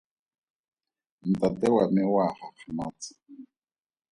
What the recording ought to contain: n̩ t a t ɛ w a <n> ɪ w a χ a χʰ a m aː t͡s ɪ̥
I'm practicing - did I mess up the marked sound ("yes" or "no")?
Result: yes